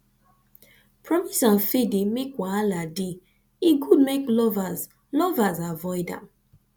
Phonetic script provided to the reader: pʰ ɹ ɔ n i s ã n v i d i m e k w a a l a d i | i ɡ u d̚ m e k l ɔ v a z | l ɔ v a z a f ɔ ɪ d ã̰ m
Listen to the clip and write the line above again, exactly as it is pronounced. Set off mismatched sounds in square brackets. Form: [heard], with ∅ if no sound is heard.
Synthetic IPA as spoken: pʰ ɹ ɔ [m] i s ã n [f] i d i m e k w a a l a d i | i ɡ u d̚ m e k l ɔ v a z | l ɔ v a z a [v] ɔ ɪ d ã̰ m